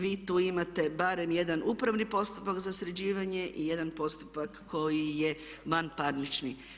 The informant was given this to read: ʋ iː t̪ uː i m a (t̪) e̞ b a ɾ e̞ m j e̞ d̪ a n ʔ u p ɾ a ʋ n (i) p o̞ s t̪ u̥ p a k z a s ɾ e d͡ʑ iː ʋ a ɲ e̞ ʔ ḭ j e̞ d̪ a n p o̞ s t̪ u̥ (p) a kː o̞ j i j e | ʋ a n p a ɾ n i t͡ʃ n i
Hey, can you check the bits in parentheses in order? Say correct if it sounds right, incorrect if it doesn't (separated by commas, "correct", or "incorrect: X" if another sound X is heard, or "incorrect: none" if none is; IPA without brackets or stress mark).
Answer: correct, correct, correct